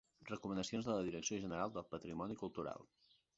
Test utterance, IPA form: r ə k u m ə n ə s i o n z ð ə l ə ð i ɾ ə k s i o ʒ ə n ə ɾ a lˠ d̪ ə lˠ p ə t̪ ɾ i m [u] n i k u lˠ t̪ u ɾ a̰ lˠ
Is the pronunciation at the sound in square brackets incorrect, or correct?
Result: incorrect